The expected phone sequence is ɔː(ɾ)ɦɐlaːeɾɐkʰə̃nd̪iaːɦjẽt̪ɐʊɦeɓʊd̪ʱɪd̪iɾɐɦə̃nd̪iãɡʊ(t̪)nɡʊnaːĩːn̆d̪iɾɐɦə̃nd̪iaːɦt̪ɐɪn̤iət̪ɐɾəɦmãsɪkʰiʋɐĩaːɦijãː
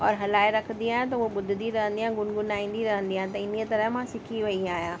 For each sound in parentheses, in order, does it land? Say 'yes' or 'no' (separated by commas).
yes, no